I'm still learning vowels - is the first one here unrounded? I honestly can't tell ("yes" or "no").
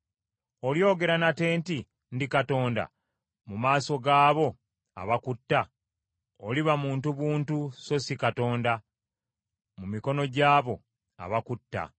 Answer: no